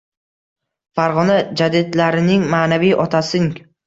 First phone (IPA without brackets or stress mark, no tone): f